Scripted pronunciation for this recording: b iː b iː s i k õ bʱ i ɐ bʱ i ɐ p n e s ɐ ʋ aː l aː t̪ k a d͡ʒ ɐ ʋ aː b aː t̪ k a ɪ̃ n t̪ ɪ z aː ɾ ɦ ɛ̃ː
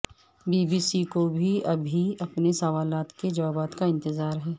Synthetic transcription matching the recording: b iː b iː s i k o bʱ i ɐ bʱ i ɐ p n e s ɐ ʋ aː l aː t̪ k e d͡ʒ ɐ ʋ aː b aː t̪ k a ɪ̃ n t̪ ɪ z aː ɾ ɦ ɛː